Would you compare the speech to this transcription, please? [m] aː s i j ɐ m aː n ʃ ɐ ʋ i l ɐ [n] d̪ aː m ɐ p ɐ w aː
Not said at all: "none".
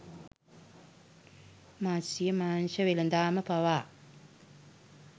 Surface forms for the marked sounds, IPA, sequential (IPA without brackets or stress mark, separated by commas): m, n